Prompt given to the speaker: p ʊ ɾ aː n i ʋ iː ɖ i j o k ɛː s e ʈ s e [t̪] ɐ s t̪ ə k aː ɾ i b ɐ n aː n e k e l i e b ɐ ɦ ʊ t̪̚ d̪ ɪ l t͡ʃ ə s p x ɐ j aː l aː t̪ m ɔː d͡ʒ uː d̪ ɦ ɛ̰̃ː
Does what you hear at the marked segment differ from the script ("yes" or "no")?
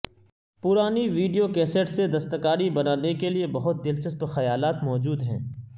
yes